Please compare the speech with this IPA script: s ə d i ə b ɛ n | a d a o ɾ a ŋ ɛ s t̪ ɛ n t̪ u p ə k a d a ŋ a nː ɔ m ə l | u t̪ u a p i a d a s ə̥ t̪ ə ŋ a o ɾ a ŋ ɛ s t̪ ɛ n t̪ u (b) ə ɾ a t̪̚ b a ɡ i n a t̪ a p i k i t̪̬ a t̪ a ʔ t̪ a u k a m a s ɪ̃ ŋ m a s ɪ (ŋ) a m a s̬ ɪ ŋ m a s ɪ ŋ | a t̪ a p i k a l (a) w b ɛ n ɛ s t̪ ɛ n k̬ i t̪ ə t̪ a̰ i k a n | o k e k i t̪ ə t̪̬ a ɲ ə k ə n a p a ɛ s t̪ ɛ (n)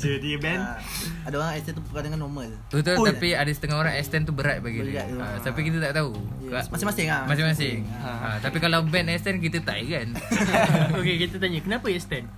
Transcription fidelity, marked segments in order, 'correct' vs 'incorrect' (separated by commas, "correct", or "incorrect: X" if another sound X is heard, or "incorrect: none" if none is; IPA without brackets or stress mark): correct, correct, correct, correct